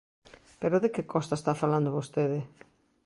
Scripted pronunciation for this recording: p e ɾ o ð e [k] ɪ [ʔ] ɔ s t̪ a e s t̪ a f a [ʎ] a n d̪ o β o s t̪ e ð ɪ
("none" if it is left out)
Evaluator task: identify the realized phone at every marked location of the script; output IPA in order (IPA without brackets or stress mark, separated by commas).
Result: k, k, l